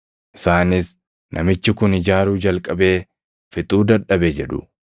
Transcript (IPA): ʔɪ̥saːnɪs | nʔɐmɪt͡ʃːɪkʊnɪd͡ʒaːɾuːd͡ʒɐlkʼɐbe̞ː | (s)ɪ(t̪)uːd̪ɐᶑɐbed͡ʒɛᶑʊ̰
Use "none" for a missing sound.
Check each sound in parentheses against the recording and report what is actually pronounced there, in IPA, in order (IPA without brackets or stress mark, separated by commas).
f, t̪ʼ